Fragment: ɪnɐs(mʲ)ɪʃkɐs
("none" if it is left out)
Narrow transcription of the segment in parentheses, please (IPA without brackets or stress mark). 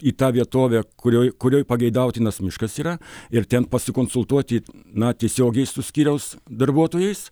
mʲ